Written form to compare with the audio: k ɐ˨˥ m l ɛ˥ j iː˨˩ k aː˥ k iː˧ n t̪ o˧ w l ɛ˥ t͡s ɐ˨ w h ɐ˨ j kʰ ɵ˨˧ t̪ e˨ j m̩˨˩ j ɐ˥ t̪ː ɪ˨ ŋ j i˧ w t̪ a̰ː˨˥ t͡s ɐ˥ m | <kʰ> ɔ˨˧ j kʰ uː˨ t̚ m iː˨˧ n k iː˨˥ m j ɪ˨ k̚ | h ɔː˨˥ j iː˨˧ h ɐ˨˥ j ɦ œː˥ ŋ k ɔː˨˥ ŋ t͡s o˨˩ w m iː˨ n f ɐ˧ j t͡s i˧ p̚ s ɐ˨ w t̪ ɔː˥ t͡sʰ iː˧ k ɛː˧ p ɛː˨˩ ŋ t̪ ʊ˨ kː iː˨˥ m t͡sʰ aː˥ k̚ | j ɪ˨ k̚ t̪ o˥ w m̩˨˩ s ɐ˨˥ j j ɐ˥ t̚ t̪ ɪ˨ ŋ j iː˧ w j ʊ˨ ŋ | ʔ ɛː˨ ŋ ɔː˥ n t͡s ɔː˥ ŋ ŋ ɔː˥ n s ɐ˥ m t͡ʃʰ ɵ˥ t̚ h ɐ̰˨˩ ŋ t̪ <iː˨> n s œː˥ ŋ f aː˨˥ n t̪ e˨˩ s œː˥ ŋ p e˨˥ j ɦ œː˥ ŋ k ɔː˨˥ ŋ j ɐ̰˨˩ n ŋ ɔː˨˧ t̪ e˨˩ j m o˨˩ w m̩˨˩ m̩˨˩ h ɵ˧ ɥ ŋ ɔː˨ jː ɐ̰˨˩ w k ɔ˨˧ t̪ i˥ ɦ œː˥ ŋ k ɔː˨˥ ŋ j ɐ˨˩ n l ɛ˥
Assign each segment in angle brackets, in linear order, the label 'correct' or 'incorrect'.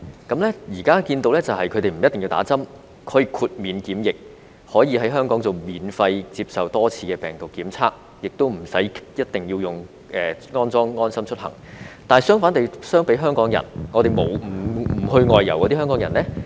correct, incorrect

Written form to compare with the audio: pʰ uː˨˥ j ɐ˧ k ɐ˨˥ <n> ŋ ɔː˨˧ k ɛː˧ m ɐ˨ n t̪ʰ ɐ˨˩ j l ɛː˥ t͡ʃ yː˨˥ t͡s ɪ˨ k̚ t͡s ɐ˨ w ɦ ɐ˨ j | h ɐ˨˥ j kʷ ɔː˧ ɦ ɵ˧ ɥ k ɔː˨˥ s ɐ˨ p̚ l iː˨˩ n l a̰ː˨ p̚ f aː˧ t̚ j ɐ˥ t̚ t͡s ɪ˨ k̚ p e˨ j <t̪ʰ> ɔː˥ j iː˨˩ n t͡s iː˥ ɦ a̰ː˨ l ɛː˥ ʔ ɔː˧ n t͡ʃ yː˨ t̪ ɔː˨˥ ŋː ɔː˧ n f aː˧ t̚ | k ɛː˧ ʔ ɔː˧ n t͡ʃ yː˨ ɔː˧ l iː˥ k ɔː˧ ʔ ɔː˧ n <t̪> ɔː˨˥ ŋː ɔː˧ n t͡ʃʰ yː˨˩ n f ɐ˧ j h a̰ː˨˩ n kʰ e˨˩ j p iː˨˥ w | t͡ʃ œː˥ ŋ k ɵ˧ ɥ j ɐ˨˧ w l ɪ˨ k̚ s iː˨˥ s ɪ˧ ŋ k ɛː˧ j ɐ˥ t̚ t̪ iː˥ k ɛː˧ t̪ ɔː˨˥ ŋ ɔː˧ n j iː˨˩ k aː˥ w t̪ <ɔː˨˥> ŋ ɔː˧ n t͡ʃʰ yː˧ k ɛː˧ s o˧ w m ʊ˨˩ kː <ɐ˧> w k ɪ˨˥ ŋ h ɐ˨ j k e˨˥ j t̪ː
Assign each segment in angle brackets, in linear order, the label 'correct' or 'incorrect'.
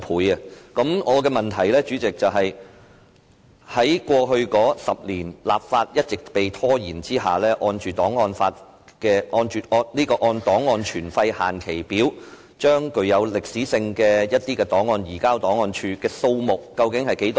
incorrect, correct, correct, correct, correct

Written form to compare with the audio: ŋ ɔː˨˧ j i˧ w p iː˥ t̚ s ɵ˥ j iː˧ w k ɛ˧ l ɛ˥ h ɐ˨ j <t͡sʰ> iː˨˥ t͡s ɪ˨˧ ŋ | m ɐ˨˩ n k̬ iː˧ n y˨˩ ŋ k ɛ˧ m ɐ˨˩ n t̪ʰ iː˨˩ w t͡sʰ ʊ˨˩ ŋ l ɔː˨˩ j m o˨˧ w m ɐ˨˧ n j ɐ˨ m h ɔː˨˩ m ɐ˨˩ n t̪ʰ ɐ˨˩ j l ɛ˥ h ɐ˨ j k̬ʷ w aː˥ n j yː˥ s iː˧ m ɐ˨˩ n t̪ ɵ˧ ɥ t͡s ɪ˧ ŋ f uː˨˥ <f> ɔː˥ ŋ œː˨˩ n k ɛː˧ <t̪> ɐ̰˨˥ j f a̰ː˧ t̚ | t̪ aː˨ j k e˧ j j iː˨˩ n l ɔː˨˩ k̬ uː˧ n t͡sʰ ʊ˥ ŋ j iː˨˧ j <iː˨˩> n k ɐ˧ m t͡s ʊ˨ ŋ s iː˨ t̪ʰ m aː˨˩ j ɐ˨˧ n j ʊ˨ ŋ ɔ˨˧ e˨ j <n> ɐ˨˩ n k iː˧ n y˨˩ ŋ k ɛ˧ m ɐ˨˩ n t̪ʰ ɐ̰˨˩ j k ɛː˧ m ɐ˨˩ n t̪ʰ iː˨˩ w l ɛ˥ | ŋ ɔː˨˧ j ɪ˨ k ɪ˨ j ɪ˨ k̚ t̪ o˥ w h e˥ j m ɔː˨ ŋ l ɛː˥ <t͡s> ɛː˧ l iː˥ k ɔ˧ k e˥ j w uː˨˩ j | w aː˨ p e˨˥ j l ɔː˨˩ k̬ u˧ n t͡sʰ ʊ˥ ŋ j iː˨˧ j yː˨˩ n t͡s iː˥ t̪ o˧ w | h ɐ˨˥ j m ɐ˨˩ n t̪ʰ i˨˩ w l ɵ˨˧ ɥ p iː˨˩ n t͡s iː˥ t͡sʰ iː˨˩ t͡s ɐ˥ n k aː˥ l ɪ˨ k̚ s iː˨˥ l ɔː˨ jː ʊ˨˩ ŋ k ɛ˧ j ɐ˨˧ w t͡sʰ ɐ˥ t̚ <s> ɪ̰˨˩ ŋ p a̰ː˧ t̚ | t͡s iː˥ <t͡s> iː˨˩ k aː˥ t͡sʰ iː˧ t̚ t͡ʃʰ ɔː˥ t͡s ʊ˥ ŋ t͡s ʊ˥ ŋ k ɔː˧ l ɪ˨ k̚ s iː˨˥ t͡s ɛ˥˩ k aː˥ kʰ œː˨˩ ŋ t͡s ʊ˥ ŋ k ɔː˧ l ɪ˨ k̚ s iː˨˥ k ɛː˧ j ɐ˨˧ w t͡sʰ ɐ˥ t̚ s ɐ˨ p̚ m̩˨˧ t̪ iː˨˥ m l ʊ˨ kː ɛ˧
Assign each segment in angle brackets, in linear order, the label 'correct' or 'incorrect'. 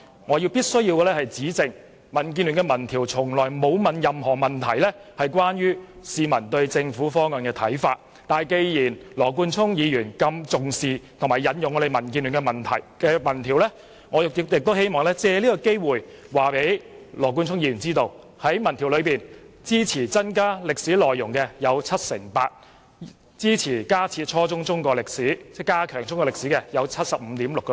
incorrect, correct, incorrect, incorrect, incorrect, correct, correct, incorrect

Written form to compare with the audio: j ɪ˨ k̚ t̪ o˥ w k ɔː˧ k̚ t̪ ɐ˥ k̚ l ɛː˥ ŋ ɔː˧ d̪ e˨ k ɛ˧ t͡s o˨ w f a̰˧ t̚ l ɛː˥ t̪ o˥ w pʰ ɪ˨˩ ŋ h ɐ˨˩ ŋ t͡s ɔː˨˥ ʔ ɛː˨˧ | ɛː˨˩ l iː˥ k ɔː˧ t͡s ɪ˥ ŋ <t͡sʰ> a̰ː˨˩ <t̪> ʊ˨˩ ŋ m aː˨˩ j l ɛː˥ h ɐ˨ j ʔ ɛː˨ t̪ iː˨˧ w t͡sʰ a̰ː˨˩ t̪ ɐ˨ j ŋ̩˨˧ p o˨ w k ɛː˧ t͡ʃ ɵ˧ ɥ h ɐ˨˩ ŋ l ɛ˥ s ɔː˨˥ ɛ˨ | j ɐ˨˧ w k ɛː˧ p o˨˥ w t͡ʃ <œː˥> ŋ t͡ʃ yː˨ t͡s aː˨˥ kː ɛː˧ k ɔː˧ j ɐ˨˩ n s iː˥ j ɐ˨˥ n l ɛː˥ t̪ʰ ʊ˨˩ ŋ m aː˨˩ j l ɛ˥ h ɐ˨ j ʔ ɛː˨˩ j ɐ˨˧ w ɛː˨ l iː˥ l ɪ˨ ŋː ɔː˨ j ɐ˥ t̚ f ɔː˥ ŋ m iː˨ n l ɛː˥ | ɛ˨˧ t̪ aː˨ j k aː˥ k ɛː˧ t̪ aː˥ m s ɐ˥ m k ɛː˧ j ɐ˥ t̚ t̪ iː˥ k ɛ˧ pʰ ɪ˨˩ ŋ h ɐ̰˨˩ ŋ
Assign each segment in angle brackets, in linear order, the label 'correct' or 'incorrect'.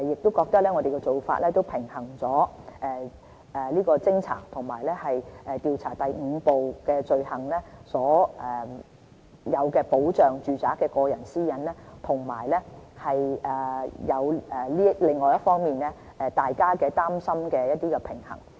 correct, incorrect, incorrect

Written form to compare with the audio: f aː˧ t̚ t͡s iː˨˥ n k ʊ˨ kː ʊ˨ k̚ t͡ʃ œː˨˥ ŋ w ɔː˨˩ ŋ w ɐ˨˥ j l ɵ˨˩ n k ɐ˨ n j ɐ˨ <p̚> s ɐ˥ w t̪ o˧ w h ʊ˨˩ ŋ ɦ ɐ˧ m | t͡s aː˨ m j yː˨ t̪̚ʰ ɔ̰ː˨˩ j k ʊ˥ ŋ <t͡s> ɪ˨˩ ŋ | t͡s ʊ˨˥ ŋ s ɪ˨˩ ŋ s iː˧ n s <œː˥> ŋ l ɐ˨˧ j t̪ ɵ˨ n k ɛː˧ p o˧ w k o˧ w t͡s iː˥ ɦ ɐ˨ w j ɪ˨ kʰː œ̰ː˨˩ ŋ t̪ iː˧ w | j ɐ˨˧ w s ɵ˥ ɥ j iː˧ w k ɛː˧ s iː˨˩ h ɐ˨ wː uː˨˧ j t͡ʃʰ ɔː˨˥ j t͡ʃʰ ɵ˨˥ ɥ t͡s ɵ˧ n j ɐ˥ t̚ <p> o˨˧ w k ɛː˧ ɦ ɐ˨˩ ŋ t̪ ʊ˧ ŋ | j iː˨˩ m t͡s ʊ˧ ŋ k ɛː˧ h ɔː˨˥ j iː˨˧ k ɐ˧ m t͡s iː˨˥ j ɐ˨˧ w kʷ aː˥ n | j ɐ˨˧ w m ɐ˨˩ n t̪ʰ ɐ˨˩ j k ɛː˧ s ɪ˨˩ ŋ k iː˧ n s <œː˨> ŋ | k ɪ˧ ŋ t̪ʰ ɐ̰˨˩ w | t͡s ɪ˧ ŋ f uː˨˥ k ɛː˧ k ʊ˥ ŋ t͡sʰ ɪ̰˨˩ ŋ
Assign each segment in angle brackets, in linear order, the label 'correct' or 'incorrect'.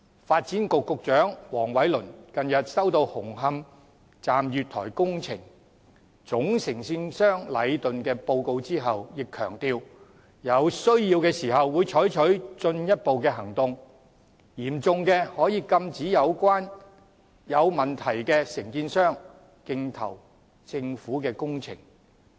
incorrect, incorrect, correct, correct, incorrect

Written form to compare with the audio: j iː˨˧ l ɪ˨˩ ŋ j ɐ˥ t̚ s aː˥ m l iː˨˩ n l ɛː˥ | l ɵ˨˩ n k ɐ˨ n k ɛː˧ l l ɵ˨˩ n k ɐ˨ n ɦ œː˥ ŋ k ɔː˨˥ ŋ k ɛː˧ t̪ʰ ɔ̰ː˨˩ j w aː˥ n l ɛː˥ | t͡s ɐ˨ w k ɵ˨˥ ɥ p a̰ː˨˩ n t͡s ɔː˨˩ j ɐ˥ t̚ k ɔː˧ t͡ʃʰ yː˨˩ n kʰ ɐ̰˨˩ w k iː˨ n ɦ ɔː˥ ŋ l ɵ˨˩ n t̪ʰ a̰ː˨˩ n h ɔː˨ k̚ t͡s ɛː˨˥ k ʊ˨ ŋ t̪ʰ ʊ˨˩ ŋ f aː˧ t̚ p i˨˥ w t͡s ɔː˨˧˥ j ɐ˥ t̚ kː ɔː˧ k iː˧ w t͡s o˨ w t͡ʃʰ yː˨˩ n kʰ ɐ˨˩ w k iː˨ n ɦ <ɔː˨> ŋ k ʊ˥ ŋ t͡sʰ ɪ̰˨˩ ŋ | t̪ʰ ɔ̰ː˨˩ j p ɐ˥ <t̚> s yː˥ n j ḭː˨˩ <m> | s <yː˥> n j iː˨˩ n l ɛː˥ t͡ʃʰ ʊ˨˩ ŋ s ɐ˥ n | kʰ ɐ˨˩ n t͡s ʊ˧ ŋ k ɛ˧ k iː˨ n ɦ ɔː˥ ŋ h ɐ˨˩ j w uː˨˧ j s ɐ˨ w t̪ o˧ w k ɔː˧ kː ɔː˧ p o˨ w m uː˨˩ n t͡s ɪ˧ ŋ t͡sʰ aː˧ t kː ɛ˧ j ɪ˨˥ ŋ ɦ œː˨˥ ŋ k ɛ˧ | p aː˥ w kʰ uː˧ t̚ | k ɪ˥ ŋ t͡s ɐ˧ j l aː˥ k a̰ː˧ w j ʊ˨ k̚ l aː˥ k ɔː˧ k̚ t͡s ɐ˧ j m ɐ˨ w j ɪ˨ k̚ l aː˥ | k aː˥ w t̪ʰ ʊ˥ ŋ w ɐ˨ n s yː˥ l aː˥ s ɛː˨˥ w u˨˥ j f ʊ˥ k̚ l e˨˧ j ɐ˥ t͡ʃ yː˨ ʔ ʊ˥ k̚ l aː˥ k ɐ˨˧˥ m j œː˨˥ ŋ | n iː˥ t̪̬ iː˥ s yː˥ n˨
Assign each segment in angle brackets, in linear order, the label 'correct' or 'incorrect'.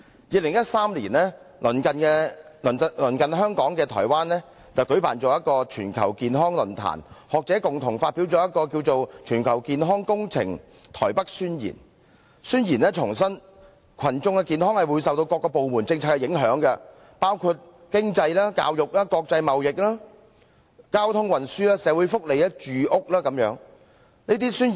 incorrect, incorrect, incorrect, correct

